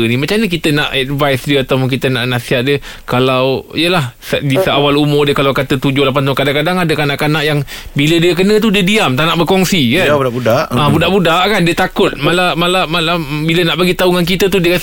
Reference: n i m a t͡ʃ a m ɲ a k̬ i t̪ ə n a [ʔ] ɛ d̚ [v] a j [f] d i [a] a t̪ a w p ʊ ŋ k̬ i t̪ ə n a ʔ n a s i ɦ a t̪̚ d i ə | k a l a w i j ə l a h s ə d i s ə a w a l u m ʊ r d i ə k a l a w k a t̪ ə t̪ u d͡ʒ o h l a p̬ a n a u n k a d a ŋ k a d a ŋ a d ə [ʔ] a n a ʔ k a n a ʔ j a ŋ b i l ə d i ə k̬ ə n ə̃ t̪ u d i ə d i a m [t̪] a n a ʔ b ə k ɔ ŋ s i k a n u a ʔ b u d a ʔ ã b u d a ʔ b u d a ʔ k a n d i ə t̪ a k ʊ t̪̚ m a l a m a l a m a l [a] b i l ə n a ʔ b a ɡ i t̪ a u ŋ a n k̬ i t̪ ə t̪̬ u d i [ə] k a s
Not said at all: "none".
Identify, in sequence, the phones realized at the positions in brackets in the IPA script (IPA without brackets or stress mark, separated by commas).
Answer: ʔ, v, s, ə, k, t̪, a, ə